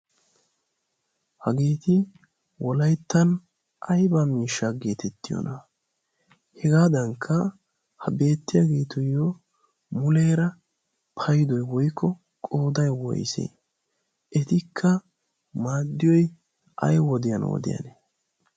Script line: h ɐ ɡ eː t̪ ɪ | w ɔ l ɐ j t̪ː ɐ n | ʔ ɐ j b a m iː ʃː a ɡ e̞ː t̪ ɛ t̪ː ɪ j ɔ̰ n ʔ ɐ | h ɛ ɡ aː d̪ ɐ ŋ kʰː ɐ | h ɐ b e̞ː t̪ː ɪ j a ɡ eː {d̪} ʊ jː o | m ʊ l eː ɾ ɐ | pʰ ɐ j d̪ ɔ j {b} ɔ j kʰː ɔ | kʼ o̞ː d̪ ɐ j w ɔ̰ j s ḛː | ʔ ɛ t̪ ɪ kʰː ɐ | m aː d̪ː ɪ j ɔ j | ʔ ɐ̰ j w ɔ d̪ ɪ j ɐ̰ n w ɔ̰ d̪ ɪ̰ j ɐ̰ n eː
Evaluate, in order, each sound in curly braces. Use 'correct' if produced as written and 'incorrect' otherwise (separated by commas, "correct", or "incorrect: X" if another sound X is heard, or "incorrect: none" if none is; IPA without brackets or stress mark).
incorrect: t̪, incorrect: w